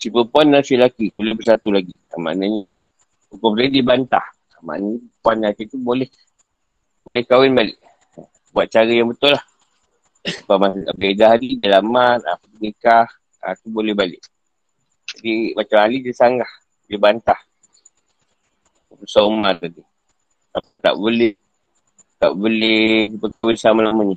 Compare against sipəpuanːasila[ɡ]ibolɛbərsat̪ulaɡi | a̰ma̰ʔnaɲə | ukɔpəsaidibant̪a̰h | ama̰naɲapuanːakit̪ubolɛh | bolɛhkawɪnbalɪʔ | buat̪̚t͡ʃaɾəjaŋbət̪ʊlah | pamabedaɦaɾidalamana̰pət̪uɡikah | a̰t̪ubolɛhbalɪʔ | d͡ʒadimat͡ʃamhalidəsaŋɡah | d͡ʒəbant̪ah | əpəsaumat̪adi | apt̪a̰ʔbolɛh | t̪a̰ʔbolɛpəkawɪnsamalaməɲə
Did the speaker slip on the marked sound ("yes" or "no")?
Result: yes